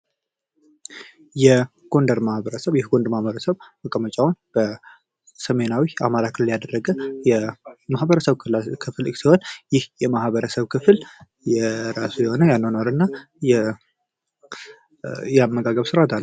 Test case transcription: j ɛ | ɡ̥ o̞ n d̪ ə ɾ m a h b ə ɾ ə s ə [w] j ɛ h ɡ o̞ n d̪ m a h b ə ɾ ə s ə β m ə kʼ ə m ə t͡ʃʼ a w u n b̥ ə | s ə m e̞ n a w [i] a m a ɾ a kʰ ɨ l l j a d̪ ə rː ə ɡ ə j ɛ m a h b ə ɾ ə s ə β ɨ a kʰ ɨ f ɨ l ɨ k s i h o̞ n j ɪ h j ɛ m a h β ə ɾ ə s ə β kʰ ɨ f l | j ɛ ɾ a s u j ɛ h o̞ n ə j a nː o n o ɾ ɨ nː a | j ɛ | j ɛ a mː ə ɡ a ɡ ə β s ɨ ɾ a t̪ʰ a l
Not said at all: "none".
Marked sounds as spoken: β, i

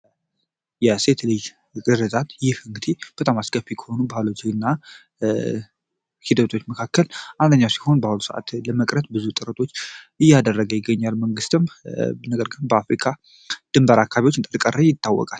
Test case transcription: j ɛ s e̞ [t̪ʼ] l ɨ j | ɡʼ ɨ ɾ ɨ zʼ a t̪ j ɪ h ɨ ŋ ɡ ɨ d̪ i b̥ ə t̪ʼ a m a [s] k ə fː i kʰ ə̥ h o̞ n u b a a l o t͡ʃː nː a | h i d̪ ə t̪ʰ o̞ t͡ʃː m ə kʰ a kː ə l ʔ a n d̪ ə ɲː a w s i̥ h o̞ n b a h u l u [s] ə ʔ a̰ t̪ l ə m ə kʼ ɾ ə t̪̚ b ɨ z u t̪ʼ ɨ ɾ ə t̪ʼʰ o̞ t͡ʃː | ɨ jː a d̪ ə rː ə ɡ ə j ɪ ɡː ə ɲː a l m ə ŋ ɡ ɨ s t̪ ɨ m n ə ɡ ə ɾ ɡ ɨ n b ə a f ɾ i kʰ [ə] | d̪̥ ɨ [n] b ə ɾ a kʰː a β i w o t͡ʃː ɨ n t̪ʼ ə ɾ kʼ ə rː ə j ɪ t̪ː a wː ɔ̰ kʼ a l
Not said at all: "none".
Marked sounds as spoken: t̪, s, s, a, m

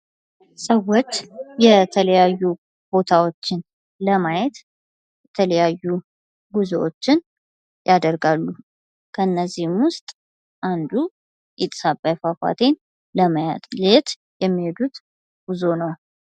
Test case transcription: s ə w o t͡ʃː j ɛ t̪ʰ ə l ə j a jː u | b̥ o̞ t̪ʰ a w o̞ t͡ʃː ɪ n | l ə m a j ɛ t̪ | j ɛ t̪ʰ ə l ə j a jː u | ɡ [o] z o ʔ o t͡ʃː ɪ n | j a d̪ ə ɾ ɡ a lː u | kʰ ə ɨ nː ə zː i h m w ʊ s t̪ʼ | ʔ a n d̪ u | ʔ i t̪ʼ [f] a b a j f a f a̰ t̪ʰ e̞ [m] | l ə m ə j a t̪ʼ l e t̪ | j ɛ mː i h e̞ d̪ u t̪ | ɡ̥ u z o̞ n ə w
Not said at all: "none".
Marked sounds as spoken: u, s, n

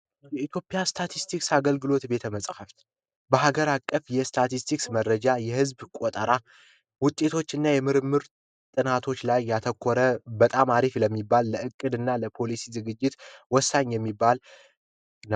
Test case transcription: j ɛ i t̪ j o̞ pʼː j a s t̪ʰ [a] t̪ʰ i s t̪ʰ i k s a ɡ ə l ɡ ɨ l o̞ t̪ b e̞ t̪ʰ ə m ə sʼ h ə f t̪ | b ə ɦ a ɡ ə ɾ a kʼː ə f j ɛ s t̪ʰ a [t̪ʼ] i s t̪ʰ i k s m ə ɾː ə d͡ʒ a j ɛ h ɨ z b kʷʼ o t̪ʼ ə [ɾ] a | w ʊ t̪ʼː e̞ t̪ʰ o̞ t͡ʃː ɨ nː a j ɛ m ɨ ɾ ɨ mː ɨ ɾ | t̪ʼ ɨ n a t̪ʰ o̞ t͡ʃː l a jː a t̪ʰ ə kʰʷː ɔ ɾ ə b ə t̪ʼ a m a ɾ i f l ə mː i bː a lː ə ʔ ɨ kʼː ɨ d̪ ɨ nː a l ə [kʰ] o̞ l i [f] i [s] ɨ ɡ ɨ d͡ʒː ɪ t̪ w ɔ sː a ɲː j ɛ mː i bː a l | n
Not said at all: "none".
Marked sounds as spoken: a, t̪, ɾ, pʰ, s, z

